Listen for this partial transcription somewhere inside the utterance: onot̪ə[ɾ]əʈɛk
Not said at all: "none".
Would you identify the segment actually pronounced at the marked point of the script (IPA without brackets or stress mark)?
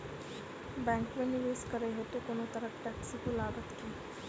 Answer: ɾ